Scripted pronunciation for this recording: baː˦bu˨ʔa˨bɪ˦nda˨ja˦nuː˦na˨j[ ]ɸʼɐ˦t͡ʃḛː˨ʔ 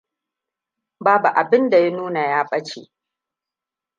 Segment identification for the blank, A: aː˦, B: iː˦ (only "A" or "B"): A